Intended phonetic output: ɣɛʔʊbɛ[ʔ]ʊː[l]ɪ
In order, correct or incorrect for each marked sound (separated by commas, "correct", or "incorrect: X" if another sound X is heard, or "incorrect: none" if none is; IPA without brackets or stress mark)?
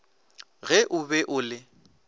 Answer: correct, correct